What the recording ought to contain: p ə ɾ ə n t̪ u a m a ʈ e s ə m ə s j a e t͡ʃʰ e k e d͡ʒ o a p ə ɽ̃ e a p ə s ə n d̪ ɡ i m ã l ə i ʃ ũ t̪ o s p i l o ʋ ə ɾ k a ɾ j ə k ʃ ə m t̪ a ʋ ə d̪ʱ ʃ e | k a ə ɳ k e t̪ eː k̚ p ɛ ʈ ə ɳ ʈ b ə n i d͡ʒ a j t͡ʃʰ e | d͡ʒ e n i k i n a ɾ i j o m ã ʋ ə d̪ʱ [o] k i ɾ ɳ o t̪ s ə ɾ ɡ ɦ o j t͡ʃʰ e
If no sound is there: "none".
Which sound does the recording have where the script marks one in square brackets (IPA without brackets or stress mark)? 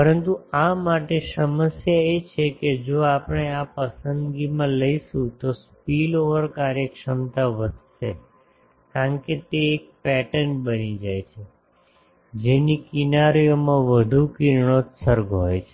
u